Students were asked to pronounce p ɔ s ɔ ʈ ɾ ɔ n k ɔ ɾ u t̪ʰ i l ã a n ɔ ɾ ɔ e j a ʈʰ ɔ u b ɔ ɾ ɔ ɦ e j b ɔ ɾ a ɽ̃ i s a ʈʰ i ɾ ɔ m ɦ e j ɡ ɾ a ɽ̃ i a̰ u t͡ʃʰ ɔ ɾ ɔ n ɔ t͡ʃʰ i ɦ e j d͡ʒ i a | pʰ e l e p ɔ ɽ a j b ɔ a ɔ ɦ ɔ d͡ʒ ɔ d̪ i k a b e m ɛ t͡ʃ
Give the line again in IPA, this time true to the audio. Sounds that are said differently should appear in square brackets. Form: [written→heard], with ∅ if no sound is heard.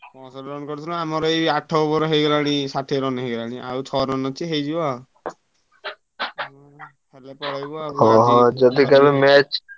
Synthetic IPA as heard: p ɔ s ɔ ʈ ɾ ɔ n k ɔ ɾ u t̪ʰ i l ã a [n→m] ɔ ɾ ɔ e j a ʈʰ ɔ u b ɔ ɾ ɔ ɦ e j [b→ɡ] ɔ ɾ a ɽ̃ i s a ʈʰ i ɾ ɔ [m→n] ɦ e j ɡ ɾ a ɽ̃ i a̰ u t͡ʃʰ ɔ ɾ ɔ n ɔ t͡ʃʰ i ɦ e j d͡ʒ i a | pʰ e l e p ɔ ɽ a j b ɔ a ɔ ɦ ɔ d͡ʒ ɔ d̪ i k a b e m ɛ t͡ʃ